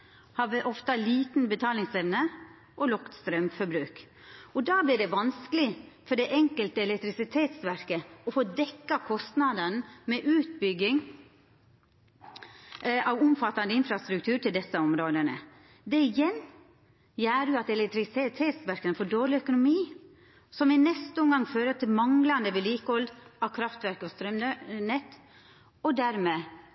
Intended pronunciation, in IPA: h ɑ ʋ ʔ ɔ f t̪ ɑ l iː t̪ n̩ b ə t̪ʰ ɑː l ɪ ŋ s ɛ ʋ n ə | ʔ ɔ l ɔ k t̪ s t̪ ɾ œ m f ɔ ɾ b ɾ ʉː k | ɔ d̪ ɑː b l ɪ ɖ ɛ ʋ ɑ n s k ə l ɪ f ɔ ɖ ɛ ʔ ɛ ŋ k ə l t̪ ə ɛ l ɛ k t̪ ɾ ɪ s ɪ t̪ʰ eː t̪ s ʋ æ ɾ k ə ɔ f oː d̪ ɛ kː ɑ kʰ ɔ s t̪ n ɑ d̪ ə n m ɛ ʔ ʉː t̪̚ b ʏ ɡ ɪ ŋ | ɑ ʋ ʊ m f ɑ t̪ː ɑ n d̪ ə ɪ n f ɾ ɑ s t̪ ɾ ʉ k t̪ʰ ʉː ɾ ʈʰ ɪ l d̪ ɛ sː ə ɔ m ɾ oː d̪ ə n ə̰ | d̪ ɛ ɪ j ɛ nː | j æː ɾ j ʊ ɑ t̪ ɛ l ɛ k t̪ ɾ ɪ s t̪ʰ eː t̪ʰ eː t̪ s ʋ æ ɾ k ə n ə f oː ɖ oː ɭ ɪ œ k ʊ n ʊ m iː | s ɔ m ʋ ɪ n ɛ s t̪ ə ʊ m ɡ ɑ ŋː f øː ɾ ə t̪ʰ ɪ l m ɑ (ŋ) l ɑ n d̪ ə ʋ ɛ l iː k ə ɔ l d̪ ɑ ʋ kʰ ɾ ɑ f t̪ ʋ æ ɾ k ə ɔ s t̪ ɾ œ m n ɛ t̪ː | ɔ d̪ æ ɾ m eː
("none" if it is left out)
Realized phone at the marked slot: ŋ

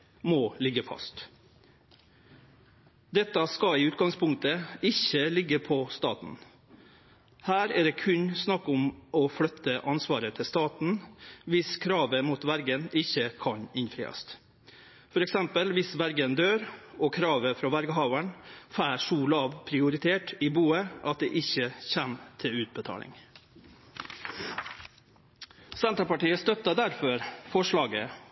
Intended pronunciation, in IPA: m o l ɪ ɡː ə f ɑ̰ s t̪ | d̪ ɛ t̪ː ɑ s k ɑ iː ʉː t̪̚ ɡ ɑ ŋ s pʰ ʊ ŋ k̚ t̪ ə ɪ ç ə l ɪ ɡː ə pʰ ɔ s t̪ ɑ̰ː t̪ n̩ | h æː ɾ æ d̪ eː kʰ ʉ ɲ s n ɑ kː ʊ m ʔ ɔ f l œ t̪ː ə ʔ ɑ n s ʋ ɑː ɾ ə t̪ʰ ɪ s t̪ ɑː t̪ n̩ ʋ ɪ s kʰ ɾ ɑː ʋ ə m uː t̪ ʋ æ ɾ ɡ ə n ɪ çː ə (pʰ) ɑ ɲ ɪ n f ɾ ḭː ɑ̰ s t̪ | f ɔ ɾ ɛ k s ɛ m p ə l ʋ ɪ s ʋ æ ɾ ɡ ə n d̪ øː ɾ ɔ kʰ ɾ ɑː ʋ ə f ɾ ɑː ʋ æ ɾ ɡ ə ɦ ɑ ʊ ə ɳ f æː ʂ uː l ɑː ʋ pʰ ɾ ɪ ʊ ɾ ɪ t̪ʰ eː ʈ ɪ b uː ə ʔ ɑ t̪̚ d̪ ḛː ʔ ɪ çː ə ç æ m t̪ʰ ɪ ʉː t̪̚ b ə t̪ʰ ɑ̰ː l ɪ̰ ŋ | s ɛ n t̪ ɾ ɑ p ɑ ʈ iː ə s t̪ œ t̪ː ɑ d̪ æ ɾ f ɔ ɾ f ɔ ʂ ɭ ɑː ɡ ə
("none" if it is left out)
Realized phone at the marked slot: kʰ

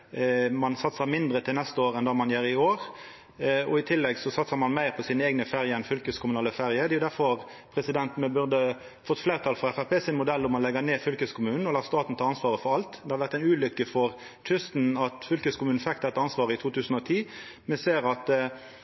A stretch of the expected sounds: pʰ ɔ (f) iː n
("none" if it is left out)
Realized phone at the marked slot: s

